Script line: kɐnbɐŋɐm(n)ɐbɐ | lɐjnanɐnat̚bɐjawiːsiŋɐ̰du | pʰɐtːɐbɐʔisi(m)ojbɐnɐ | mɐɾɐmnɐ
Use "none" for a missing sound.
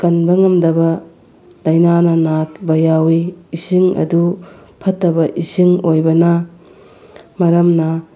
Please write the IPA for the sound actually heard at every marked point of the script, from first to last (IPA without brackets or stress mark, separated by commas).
d, ŋ